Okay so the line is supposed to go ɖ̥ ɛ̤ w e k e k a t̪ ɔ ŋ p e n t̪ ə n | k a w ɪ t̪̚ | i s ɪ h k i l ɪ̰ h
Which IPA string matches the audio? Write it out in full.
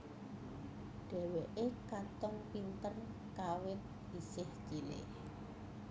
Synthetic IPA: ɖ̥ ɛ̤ w e ʔ e k a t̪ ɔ ŋ p i n t̪ ə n | k a w ɪ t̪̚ | i s ɪ h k i l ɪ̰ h